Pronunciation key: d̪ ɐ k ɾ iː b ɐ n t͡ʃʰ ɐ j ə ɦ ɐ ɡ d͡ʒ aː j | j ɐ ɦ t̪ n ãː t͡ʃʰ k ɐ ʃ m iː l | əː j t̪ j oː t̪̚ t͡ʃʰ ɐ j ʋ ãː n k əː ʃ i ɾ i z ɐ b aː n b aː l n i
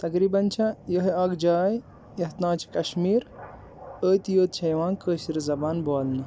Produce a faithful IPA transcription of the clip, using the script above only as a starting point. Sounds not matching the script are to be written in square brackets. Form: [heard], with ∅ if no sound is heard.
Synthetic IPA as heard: [t̪] ɐ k ɾ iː b ɐ n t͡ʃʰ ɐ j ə ɦ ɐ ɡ d͡ʒ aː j | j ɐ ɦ t̪ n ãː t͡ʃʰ k ɐ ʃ m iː [ɾ] | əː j t̪ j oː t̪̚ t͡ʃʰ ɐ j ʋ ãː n k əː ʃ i ɾ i z ɐ b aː n b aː l n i